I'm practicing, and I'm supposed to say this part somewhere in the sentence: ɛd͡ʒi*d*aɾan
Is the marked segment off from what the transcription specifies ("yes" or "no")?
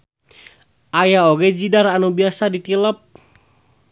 no